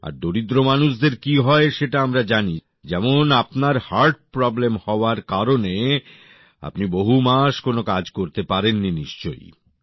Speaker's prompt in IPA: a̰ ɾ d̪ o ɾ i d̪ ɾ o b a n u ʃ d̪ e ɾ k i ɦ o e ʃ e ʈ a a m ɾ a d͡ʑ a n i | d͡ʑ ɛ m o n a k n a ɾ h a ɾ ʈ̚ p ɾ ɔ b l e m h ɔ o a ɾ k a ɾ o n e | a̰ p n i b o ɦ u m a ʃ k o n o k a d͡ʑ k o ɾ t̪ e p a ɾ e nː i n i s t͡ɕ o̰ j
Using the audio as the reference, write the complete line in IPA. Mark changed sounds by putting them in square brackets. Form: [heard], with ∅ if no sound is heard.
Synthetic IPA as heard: a̰ ɾ d̪ o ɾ i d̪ ɾ o [m] a n u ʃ d̪ e ɾ k i ɦ [ɔ] e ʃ e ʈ a a m ɾ a d͡ʑ a n i | d͡ʑ ɛ m o n a [p] n a ɾ h a ɾ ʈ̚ p ɾ ɔ b l e m h ɔ o a ɾ k a ɾ o n e | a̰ p n i b o ɦ u m a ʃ k o n o k a d͡ʑ k o ɾ t̪ e p a ɾ e nː i n i [ʃ] t͡ɕ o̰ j